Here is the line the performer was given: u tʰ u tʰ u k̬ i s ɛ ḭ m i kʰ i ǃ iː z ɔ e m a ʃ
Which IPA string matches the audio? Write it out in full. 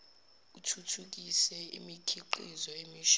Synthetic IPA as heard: u tʰ u tʰ u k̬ i s ɛ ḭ m i kʰ i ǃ i z ɔ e m i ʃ